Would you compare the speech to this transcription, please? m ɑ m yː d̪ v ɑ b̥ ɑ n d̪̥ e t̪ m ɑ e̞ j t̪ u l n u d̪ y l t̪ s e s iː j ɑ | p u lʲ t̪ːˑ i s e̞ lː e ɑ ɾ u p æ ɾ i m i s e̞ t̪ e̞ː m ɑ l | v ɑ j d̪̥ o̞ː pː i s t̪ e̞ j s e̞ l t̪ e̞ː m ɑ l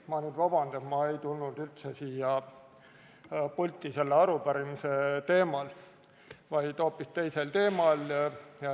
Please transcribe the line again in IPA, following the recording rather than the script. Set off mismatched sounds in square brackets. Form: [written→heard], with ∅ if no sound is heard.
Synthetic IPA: m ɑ [m→n] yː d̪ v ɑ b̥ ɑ n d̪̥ e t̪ m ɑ e̞ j t̪ u l n u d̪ y l t̪ s e s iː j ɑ | p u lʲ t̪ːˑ i s e̞ lː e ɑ ɾ u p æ ɾ i m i s e̞ t̪ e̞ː m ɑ l | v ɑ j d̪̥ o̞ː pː i s t̪ e̞ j s e̞ l t̪ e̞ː m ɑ l

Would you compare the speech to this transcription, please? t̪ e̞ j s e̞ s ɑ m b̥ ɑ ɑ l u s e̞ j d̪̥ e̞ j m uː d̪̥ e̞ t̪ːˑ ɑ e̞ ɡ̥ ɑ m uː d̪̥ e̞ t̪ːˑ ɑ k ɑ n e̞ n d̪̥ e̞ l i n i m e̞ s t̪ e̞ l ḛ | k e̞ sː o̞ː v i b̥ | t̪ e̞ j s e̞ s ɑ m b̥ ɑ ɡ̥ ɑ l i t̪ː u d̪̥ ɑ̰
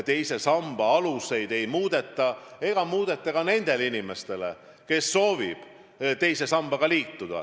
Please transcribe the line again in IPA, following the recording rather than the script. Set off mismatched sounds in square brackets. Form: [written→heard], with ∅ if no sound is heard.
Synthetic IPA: t̪ e̞ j s e̞ s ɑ m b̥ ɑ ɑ l u s e̞ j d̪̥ e̞ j m uː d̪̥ e̞ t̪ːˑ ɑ e̞ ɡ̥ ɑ m uː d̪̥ e̞ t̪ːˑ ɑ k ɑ n e̞ n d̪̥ e̞ l i n i m e̞ s t̪ e̞ l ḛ | k e̞ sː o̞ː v i b̥ | t̪ e̞ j s e̞ s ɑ m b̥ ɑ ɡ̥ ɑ l [i→iː] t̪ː u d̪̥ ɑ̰

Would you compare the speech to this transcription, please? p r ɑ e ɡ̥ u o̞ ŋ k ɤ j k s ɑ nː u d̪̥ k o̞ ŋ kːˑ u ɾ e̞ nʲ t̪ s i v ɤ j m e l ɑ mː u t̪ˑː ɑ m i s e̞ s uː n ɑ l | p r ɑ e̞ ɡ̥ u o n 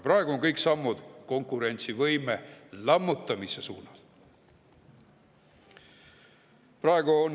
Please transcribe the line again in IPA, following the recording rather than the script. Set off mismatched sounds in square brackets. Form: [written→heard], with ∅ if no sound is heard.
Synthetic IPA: p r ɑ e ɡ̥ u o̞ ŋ k ɤ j k s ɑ [nː→mː] u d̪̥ k o̞ ŋ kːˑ u ɾ e̞ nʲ t̪ s i v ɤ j m e l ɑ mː u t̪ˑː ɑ m i s e̞ s uː n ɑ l | p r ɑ e̞ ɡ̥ u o n

